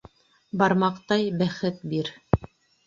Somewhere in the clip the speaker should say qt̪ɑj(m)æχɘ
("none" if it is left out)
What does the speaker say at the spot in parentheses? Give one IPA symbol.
b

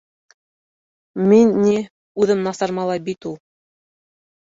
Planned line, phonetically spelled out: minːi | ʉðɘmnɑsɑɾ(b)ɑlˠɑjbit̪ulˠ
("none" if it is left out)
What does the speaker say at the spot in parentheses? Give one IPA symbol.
m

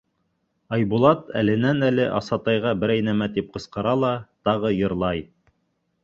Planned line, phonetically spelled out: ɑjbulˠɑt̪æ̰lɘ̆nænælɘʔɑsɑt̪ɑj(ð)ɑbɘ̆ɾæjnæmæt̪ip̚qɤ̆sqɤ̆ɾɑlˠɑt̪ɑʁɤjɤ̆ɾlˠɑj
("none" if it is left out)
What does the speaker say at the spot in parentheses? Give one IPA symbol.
ʁ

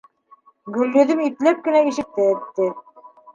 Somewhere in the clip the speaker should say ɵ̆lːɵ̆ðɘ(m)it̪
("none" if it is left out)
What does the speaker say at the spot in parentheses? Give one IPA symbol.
m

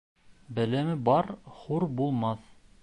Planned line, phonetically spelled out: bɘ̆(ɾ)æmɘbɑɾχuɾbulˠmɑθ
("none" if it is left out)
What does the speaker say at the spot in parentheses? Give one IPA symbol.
l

